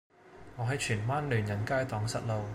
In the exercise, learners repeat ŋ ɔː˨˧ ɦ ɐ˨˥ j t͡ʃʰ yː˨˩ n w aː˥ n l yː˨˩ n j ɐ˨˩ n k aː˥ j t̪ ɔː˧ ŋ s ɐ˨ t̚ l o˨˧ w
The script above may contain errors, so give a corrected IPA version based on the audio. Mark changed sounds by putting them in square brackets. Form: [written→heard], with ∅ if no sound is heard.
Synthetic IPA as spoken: ŋ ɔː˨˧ ɦ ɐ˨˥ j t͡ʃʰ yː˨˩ n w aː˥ n l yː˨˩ n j ɐ˨˩ n k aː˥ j t̪ [ɔː˧→ɔː˨˥] ŋ s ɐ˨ t̚ l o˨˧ w